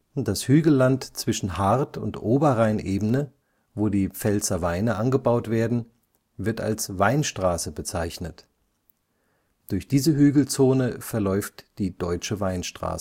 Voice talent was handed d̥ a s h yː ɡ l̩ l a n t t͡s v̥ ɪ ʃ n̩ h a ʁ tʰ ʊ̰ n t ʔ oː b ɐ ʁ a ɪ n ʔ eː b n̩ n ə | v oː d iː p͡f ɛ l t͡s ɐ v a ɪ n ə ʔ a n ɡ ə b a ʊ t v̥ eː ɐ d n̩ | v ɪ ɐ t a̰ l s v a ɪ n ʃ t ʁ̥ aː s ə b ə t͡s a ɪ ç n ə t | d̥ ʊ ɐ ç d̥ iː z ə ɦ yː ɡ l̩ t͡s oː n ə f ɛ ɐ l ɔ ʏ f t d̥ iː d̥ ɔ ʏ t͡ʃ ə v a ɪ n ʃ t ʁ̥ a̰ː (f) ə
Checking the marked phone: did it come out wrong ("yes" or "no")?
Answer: yes